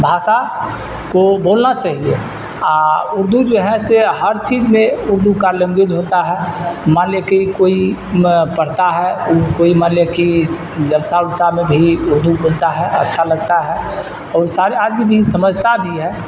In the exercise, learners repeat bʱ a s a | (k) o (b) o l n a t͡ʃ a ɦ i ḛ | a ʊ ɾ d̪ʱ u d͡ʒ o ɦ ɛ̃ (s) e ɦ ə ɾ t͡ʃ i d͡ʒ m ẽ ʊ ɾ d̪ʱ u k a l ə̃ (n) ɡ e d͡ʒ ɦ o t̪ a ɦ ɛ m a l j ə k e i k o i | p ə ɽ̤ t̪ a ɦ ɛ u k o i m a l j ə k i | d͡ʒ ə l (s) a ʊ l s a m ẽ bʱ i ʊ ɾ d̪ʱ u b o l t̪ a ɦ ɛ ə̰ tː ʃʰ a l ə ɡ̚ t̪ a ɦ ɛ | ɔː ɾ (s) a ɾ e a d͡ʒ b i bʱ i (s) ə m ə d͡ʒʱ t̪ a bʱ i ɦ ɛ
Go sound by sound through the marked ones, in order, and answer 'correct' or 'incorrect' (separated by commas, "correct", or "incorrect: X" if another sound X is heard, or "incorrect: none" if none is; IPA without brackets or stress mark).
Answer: correct, correct, correct, incorrect: ŋ, correct, correct, correct